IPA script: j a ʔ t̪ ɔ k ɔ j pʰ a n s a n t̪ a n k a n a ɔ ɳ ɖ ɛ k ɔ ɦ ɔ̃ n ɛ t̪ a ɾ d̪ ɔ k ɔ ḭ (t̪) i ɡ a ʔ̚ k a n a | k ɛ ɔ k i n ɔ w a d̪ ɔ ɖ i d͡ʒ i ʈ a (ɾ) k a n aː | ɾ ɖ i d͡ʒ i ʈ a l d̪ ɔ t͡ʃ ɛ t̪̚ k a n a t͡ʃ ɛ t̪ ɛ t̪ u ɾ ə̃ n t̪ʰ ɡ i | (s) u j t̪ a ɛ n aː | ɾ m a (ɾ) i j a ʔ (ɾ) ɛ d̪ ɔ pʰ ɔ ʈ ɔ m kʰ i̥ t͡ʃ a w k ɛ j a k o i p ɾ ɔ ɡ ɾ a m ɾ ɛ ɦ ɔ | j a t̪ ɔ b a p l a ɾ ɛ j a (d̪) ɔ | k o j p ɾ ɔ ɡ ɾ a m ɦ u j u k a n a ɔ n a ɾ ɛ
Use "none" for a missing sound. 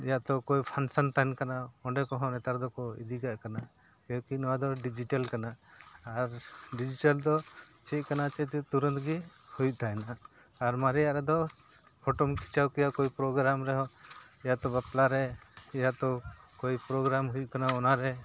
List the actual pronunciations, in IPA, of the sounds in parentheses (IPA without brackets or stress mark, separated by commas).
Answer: d̪, l, h, ɾ, ɾ, t̪